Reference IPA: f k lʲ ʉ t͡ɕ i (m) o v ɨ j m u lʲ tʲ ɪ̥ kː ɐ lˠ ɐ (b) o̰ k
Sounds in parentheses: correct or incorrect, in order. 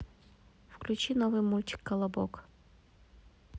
incorrect: n, correct

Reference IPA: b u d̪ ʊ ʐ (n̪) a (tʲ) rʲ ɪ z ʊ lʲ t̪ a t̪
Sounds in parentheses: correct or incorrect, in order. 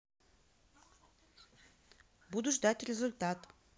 incorrect: d̪, correct

